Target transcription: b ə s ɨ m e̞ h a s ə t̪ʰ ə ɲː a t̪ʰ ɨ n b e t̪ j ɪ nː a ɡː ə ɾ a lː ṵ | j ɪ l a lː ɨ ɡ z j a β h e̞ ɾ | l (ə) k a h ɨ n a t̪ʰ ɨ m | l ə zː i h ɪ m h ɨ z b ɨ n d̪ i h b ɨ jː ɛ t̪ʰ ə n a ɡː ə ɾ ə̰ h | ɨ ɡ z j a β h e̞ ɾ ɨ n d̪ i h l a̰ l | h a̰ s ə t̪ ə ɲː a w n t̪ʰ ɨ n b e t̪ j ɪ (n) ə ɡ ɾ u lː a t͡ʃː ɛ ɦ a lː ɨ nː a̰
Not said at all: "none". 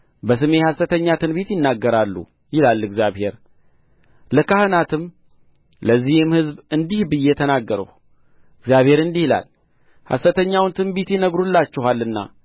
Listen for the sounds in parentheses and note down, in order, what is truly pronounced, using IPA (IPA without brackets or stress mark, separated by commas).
ə, n